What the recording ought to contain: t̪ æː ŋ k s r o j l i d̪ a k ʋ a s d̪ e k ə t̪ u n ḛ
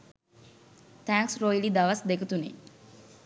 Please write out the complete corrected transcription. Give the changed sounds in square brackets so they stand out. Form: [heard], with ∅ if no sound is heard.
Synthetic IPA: t̪ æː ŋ k s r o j l i d̪ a [∅] ʋ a s d̪ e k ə t̪ u n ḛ